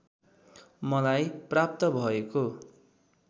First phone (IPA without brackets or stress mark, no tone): m